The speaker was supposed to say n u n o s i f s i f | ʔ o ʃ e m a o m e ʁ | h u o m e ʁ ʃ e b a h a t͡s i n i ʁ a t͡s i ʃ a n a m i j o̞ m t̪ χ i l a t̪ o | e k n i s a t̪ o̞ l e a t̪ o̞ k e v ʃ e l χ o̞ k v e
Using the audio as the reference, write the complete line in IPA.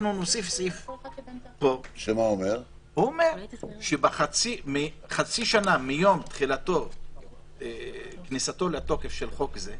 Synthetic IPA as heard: n u n o s i f s i f | p o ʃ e m a o m e ʁ | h u o m e ʁ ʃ e b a χ a t͡s i m i χ a t͡s i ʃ a n a m i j o̞ m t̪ χ i l a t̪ o | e k n i s a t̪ o̞ l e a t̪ o̞ k e f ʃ e l χ o̞ k z e